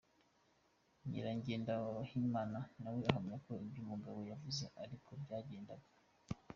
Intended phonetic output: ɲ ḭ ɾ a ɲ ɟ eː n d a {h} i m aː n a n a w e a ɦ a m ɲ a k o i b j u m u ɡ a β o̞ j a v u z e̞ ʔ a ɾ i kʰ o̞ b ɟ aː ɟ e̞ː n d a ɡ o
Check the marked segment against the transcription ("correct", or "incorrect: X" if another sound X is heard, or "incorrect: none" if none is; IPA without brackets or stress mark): correct